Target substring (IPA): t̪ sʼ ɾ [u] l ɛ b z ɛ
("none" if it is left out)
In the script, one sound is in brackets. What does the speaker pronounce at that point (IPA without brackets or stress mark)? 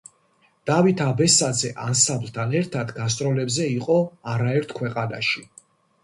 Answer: ɔ